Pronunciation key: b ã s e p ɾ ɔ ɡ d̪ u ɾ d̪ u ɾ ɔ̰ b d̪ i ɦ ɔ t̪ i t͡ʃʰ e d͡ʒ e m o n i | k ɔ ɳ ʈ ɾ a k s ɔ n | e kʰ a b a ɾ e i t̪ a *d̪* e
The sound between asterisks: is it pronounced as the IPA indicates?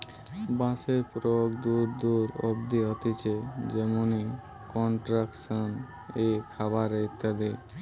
yes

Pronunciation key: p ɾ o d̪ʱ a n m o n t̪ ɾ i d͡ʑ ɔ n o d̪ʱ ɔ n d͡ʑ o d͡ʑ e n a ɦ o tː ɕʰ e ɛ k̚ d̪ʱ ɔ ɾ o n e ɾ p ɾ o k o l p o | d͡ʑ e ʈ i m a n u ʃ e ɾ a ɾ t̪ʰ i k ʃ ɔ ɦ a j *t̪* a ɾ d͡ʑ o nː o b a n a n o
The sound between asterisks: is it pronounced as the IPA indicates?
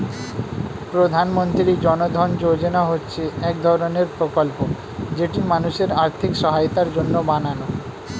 yes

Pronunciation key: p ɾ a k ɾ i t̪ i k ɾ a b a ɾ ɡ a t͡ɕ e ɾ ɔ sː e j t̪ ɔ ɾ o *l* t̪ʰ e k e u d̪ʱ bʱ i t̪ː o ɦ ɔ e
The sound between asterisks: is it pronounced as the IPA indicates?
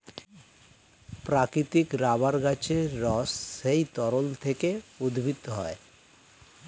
yes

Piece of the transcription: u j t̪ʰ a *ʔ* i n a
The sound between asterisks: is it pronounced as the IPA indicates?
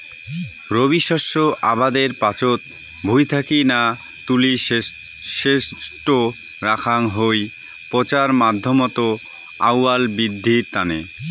no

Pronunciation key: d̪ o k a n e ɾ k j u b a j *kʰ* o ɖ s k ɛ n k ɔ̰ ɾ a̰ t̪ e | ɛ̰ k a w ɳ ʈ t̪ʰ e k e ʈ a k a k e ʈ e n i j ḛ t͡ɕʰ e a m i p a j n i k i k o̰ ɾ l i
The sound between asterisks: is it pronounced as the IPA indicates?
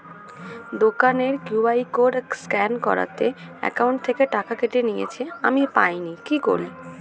no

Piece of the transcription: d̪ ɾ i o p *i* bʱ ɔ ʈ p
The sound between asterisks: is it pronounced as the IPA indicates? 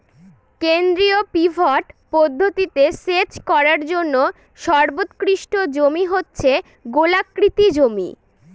yes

